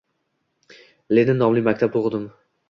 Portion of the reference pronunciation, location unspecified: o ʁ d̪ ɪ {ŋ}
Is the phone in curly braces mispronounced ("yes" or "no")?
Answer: yes